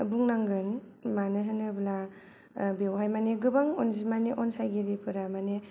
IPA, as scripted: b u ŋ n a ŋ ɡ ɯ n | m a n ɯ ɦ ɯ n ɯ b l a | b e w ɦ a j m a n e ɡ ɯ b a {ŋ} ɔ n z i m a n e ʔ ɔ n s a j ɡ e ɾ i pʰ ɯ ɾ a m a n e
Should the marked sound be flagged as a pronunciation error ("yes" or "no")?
no